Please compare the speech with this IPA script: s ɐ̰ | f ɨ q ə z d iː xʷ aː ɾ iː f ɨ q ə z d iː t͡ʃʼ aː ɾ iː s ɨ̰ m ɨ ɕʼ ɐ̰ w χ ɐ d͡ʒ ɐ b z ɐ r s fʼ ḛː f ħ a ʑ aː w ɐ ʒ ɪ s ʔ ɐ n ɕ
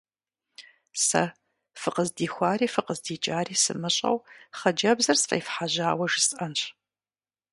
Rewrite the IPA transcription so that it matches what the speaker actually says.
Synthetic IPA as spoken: s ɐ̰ | f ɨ q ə z d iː xʷ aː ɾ iː f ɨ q ə z d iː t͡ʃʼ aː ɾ iː s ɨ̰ m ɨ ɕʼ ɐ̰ w χ ɐ d͡ʒ ɐ b z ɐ r s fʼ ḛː f ħ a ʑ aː w ɐ ʒ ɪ s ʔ ɐ n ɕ

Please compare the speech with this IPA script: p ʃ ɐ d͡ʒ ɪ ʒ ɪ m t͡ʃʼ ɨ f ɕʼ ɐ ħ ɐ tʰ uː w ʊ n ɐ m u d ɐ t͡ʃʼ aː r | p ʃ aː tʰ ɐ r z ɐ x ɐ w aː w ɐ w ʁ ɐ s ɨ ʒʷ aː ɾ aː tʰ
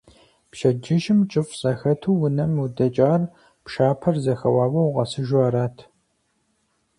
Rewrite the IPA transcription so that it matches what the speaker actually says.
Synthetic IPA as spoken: p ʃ ɐ d͡ʒ ɪ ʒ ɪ m t͡ʃʼ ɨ f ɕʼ ɐ x ɐ tʰ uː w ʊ n ɐ m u d ɐ t͡ʃʼ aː r | p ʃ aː pʰ ɐ r z ɐ x ɐ w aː w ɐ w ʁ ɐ s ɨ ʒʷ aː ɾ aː tʰ

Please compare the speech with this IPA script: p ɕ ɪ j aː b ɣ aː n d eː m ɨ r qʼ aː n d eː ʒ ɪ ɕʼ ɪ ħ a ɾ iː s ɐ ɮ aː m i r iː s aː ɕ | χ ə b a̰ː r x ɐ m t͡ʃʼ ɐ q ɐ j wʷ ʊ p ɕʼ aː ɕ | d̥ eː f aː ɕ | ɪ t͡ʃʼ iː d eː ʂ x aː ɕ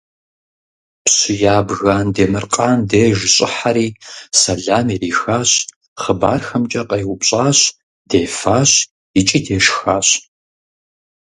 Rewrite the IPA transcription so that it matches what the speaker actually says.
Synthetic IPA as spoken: p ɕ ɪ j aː b ɣ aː n d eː m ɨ r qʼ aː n d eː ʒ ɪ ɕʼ ɪ ħ a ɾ iː s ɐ ɮ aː m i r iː x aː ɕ | χ ə b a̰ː r x ɐ m t͡ʃʼ ɐ q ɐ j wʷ ʊ p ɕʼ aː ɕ | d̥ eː f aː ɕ | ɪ t͡ʃʼ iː d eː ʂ x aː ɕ

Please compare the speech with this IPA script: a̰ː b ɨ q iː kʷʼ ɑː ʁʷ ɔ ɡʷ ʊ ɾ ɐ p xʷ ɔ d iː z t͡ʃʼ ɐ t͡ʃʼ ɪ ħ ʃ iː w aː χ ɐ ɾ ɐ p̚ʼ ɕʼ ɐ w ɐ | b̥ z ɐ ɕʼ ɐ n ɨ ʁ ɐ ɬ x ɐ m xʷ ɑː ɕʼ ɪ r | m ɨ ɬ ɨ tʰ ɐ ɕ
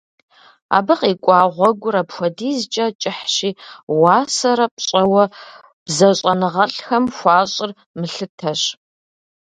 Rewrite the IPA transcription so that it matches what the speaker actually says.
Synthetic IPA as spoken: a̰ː b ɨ q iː kʷʼ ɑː ʁʷ ɔ ɡʷ ʊ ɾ ɐ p xʷ ɔ d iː z t͡ʃʼ ɐ t͡ʃʼ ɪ ħ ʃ iː w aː s ɐ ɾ ɐ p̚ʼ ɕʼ ɐ w ɐ | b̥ z ɐ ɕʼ ɐ n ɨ ʁ ɐ ɬ x ɐ m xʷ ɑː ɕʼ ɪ r | m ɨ ɬ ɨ tʰ ɐ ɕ

